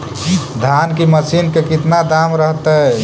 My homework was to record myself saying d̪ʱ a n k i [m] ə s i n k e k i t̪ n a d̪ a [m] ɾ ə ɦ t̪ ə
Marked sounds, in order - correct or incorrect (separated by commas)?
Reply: correct, correct